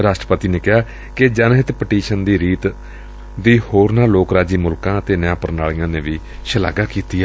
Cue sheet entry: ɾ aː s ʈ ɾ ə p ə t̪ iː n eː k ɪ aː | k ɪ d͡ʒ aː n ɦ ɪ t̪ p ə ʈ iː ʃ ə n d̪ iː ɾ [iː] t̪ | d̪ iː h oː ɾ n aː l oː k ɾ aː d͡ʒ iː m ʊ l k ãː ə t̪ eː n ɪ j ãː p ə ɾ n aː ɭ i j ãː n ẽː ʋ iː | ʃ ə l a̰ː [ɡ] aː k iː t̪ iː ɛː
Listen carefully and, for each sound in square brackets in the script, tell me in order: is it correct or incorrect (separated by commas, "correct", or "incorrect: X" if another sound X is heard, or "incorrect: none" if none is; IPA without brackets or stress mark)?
correct, correct